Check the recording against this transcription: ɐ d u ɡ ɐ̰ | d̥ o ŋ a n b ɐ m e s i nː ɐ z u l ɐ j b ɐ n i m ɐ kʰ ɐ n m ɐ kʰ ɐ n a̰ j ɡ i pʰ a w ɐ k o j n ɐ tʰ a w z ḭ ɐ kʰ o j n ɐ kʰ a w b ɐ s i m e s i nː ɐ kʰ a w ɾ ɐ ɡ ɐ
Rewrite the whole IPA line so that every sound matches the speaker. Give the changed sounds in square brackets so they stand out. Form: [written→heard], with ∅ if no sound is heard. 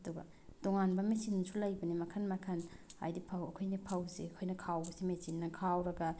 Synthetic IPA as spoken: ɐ d u ɡ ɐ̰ | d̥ o ŋ a n b ɐ m e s i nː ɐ [z→s] u l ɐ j b ɐ n i m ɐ kʰ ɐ n m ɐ kʰ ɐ n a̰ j [ɡ→d] i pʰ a w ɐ [k→kʰ] o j n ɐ [tʰ→pʰ] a w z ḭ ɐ kʰ o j n ɐ kʰ a w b ɐ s i m e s i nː ɐ kʰ a w ɾ ɐ ɡ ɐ